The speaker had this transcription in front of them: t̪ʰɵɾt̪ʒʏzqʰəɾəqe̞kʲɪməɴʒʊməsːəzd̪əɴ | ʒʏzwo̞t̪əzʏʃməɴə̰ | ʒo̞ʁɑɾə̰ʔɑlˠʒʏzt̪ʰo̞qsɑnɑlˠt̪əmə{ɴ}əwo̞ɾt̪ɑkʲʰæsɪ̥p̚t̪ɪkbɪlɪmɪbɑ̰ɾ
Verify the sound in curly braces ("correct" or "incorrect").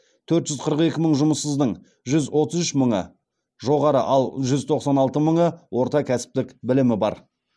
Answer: correct